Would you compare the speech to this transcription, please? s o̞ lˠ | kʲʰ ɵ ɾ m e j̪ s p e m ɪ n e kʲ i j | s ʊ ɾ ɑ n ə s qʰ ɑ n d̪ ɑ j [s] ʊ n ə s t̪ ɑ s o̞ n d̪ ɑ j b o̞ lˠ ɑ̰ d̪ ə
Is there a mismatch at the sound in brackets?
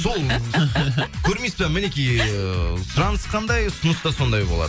no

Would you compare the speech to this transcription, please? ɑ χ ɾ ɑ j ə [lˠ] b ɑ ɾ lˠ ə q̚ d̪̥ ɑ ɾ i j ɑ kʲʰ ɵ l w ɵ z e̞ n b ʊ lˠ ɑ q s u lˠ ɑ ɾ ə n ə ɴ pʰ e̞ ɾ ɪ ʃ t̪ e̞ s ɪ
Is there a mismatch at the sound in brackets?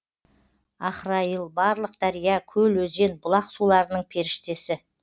no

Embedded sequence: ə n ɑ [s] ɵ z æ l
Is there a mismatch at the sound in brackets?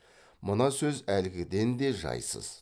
no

